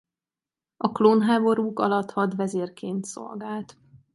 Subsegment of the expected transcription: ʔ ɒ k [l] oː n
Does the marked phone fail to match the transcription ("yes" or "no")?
no